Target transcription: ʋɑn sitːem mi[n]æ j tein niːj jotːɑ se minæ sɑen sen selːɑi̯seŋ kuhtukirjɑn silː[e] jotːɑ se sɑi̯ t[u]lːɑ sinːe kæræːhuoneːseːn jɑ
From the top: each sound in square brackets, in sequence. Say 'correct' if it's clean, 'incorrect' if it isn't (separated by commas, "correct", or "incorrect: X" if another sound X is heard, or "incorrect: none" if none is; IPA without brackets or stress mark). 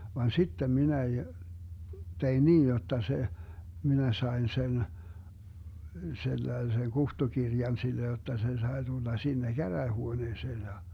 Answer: correct, correct, correct